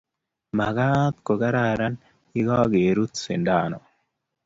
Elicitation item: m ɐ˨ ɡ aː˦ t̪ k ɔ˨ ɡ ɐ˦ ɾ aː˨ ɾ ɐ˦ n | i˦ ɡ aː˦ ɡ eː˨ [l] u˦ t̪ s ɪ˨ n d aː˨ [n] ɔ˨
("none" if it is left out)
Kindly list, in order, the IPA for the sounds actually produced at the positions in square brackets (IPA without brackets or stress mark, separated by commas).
ɾ, n